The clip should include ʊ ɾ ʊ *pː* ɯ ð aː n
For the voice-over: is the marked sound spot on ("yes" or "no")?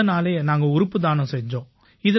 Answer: yes